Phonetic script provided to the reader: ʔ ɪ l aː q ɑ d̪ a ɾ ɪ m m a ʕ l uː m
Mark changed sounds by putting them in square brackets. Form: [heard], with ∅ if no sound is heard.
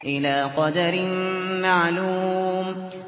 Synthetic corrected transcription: ʔ ɪ l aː q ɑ d̪ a ɾ ɪ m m a ʕ l uː m

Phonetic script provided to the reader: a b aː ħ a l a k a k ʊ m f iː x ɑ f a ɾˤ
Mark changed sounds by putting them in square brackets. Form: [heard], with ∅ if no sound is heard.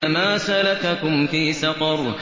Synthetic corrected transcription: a [m] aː [s] a l a k a k ʊ m f iː [s] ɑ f [ɑ] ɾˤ

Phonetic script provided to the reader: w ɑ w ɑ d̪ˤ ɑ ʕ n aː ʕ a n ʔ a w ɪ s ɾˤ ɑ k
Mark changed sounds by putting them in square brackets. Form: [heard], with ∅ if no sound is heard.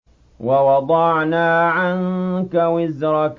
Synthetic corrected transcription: w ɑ w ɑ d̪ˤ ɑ ʕ n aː ʕ a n [k] a w ɪ [z] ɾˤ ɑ k

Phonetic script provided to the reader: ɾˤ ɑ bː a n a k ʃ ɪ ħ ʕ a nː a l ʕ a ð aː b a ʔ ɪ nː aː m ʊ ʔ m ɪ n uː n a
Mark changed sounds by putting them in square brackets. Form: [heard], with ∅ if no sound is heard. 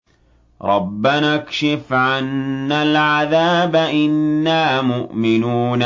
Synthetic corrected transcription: ɾˤ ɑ bː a n a k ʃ ɪ [f] ʕ a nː a l ʕ a ð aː b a ʔ ɪ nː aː m ʊ ʔ m ɪ n uː n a

